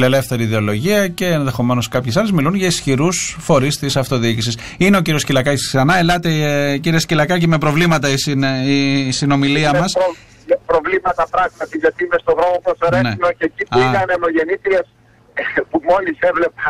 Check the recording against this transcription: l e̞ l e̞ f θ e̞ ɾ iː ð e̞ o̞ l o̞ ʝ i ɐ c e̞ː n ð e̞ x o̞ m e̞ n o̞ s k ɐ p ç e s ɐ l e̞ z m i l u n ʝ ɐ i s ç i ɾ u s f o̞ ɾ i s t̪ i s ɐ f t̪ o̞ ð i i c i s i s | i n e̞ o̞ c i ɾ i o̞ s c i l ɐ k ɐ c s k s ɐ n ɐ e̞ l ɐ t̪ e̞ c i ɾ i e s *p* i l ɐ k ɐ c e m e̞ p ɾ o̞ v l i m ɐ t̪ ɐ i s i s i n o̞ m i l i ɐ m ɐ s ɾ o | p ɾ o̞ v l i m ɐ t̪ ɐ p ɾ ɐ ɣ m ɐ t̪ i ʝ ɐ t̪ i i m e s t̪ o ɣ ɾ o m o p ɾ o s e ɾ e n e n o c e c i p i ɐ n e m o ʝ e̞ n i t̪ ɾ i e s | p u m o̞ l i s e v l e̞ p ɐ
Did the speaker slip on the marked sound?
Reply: yes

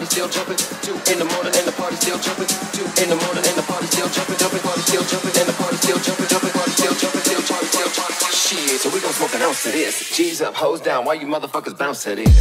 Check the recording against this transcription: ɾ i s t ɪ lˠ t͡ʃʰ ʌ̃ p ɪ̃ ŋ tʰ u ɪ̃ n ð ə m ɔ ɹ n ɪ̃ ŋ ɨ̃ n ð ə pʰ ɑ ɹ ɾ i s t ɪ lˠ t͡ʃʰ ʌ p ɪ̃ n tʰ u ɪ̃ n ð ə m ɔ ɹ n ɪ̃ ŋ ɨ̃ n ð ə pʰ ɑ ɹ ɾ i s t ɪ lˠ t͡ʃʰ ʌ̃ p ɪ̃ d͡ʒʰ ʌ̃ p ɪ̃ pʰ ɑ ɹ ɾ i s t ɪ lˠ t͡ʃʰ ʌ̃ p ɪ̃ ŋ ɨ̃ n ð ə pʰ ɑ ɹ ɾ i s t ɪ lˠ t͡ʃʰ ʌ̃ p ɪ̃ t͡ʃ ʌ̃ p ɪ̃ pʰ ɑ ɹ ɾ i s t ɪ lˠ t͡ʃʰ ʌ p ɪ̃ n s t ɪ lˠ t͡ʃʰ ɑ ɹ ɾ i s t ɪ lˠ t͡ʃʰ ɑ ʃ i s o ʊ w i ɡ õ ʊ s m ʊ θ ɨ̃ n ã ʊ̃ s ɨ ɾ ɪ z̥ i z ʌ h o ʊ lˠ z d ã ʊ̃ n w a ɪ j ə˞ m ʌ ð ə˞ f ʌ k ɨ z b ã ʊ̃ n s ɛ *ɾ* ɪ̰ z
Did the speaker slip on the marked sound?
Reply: no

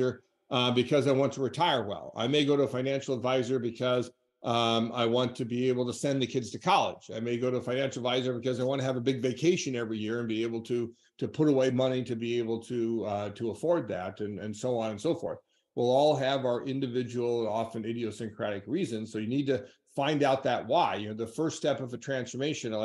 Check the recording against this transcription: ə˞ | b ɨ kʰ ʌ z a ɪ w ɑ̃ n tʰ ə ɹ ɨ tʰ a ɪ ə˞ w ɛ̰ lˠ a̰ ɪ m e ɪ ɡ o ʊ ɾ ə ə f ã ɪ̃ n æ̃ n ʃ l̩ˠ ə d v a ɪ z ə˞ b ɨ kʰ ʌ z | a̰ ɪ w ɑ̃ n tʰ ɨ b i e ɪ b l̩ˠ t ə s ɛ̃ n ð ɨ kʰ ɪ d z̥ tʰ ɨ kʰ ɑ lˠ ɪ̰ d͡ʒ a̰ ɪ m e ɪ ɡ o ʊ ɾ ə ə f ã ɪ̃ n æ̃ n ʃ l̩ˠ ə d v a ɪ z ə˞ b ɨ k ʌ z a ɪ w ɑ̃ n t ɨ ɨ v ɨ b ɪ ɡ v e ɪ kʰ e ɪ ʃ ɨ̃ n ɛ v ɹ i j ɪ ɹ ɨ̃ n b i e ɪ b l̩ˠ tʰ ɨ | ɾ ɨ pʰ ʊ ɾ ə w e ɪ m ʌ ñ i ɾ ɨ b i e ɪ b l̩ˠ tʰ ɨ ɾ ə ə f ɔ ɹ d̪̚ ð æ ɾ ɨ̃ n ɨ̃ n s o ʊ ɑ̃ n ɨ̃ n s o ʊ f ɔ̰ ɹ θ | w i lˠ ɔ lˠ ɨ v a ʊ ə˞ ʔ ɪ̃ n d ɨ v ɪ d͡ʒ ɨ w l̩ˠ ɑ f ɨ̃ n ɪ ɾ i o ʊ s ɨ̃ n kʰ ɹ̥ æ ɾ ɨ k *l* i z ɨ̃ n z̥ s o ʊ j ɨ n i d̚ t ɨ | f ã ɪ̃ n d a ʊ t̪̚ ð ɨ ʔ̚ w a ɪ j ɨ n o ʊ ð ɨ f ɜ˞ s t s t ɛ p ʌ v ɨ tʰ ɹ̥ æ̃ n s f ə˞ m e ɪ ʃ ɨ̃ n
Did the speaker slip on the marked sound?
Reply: yes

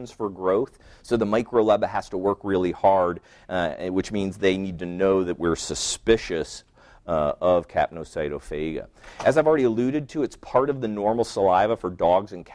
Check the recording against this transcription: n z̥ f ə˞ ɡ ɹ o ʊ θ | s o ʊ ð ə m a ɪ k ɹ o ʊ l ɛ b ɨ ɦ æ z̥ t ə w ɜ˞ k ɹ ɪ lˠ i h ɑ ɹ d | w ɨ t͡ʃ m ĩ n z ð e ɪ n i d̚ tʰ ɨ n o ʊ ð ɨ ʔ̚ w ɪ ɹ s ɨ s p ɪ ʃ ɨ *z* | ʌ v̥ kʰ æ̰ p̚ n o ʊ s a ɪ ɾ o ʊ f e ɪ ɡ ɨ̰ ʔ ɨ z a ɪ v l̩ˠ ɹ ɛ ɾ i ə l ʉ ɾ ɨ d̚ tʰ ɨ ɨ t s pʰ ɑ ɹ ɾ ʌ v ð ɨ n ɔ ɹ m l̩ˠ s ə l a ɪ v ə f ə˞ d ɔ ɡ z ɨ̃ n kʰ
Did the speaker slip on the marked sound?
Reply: yes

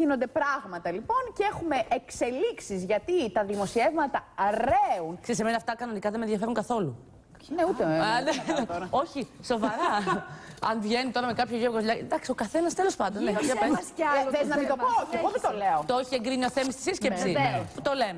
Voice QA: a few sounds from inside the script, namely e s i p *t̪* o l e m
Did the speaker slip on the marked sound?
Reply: no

